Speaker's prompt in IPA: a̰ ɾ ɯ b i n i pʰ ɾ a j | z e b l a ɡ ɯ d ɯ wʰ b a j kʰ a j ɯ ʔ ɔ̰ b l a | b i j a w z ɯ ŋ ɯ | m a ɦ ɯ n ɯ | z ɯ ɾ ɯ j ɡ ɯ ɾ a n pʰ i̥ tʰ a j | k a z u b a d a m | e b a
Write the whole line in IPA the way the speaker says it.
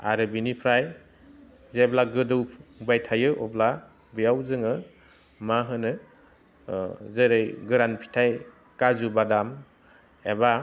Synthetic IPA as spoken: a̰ ɾ ɯ b i n i pʰ ɾ a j | z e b l a ɡ ɯ d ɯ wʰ b a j tʰ a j ɯ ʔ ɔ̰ b l a | b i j a w z ɯ ŋ ɯ | m a ɦ ɯ n ɯ | z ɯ ɾ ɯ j ɡ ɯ ɾ a n pʰ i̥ tʰ a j | k a z u b a d a m | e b a